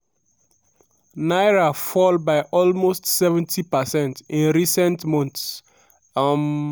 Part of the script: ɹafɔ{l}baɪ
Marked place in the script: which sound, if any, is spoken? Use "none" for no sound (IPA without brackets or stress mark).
l